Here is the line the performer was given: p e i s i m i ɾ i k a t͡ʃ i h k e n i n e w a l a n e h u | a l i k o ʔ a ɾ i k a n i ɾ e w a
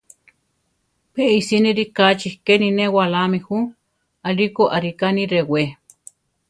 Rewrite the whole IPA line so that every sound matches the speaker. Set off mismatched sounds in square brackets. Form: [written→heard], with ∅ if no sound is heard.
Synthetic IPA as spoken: p e i s i [m→n] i ɾ i k a t͡ʃ i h k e n i n e w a l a [n→m] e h u | a l i k o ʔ a ɾ i k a n i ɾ e w [a→e]

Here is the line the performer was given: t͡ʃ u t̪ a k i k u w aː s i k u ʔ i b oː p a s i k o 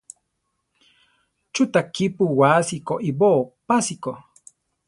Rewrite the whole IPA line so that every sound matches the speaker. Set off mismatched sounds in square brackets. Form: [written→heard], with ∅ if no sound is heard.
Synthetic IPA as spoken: t͡ʃ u t̪ a k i [k→p] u w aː s i k [u→o] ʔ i b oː p a s i k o

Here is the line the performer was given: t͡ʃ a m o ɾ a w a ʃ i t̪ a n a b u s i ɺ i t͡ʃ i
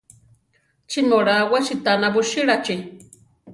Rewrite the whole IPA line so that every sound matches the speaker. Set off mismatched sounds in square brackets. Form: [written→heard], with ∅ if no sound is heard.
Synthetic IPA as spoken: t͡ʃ [a→i] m o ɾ a w a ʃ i t̪ a n a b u [s→ʃ] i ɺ [i→a] t͡ʃ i

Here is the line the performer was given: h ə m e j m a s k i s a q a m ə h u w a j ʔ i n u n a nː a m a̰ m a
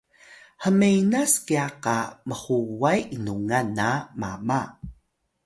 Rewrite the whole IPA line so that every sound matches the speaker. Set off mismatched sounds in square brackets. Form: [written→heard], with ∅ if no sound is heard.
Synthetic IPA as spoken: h ə m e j [m→n] a s k i [s→∅] a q a m ə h u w a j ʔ i n u [n→ŋ] a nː a m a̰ m a

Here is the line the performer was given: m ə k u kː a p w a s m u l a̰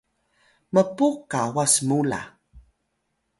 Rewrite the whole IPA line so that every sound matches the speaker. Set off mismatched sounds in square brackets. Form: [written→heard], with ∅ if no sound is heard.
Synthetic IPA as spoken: m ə [k→p] u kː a [p→∅] w a s m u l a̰

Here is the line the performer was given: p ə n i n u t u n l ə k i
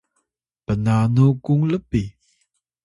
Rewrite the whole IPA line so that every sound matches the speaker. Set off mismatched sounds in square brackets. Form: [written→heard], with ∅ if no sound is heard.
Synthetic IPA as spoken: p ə n [i→a] n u [t→k] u [n→ŋ] l ə [k→p] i

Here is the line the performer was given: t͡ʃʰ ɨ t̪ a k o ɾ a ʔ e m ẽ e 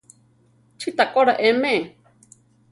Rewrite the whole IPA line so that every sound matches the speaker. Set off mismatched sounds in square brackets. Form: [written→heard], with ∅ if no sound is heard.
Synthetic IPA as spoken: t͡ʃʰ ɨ t̪ a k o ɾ a ʔ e m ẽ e

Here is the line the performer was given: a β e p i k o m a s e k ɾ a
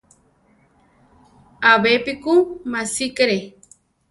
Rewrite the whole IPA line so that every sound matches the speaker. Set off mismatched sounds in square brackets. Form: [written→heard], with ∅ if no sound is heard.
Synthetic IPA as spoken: a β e p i k [o→u] m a s [e→i] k ɾ [a→e]

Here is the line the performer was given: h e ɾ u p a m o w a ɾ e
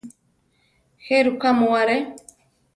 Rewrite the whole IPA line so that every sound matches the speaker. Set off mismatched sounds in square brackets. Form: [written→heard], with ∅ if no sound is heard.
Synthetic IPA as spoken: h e ɾ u [p→k] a m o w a ɾ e

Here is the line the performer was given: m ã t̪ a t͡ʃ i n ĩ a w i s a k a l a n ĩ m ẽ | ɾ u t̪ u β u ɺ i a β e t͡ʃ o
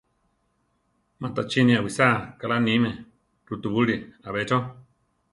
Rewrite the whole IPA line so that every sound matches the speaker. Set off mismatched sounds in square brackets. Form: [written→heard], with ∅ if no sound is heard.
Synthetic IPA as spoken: m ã t̪ a t͡ʃ i n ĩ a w i s a k a l a n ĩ m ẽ | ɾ u t̪ u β u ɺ i a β e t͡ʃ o

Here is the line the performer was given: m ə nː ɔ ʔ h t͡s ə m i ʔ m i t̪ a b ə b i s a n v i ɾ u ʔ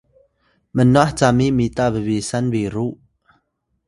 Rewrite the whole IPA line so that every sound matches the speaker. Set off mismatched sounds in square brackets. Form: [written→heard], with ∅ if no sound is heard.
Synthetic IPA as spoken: m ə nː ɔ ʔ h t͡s [ə→a] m i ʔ m i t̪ a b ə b i s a n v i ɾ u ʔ

